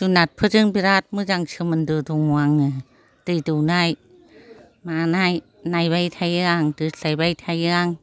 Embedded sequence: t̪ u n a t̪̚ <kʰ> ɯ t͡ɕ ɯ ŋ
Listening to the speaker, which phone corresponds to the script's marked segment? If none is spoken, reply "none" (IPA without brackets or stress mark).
pʰ